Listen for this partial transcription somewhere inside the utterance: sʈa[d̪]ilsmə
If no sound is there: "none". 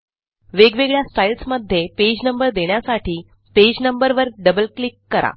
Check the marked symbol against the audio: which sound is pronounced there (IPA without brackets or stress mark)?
none